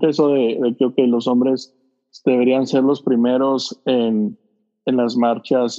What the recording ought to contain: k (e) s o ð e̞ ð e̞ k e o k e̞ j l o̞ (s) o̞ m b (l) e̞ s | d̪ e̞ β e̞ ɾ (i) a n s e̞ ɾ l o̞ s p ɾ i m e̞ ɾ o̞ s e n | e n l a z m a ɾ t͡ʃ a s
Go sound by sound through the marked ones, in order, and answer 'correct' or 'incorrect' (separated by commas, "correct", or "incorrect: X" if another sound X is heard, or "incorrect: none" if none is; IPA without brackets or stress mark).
correct, correct, incorrect: ɾ, correct